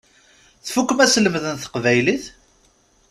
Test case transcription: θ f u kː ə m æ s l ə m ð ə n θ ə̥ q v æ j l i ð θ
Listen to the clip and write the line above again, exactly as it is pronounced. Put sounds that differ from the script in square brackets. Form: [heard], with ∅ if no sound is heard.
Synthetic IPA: θ f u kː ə m æ s l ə m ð ə n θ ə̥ q v æ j l i [∅] θ